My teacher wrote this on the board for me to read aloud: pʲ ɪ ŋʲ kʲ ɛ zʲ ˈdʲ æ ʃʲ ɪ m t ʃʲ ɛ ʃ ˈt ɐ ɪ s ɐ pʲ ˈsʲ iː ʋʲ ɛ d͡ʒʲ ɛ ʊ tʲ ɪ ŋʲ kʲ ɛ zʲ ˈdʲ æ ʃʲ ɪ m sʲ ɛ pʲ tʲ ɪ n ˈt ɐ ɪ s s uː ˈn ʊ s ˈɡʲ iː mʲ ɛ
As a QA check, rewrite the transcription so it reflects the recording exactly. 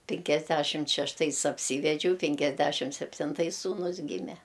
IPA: pʲ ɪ ŋʲ kʲ ɛ zʲ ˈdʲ æ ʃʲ ɪ m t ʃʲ ɛ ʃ ˈt ɐ ɪ s ɐ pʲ ˈsʲ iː ʋʲ ɛ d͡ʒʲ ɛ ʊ pʲ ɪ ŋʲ kʲ ɛ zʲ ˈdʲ æ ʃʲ ɪ m sʲ ɛ pʲ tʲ ɪ n ˈt ɐ ɪ s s uː ˈn ʊ s ˈɡʲ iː mʲ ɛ